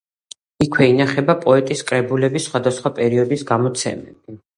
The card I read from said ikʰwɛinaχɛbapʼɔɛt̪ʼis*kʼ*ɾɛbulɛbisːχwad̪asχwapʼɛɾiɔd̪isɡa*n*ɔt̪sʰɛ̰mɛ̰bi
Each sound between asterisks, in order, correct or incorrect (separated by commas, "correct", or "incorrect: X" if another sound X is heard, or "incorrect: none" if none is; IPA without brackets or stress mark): correct, incorrect: m